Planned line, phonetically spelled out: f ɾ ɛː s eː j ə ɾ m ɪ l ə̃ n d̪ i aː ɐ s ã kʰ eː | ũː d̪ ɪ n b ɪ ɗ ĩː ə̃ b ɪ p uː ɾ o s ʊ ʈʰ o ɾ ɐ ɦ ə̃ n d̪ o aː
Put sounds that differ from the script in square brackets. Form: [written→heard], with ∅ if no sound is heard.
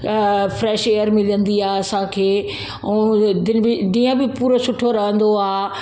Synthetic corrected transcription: f ɾ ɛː [s→ʃ] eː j ə ɾ m ɪ l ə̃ n d̪ i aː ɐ s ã kʰ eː | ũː d̪ ɪ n b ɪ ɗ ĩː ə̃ b ɪ p uː ɾ o s ʊ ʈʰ o ɾ ɐ ɦ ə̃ n d̪ o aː